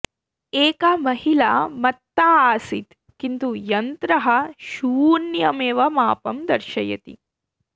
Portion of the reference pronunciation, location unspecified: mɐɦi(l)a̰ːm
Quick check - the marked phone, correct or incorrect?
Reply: correct